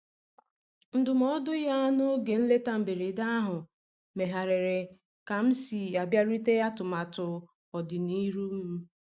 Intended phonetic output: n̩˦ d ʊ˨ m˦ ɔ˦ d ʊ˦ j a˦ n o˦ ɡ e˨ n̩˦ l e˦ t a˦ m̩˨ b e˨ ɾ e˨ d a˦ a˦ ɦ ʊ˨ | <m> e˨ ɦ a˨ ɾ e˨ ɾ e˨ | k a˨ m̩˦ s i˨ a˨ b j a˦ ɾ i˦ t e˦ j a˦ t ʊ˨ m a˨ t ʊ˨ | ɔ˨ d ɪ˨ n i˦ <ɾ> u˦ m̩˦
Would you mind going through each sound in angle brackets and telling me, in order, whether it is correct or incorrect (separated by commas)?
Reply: correct, correct